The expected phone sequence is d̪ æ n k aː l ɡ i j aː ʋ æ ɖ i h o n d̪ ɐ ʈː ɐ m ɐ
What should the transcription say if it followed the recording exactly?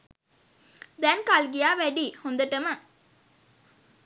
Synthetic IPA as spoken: d̪ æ n k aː l ɡ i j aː ʋ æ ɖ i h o n d̪ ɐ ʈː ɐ m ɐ